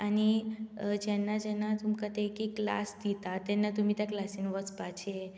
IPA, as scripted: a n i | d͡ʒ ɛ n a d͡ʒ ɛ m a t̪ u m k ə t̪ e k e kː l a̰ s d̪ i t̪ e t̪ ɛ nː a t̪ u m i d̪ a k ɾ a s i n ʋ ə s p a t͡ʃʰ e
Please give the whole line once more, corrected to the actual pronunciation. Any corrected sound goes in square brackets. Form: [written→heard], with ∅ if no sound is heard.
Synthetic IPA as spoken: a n i | d͡ʒ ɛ n a d͡ʒ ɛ [m→n] a t̪ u m k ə t̪ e k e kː l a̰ s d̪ i t̪ [e→a] t̪ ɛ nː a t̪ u m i [d̪→t̪] a k [ɾ→l] a s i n ʋ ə s p a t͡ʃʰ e